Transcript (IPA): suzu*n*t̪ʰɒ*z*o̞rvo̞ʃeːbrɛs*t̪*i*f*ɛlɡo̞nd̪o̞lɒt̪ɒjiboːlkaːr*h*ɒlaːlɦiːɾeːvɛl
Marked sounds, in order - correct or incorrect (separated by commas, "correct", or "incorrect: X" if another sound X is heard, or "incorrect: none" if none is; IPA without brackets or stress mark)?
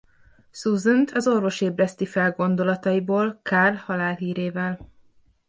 correct, correct, correct, correct, correct